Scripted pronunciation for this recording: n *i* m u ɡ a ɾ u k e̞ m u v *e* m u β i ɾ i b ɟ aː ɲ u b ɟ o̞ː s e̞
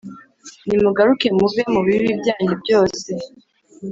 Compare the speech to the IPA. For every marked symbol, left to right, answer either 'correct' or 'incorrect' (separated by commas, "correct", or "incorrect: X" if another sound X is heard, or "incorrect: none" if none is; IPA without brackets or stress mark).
correct, correct